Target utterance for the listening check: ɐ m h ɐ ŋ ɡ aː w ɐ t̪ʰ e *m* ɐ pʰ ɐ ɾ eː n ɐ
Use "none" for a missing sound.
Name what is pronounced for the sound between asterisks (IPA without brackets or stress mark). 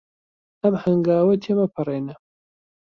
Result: m